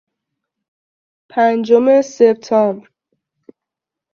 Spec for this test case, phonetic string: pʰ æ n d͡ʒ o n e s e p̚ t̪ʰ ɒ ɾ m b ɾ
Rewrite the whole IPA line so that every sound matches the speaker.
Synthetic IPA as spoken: pʰ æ n d͡ʒ o m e s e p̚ t̪ʰ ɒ m b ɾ